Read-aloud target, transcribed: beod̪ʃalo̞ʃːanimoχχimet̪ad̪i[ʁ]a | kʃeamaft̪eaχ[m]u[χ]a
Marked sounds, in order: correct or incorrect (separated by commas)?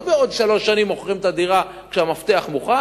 correct, correct, correct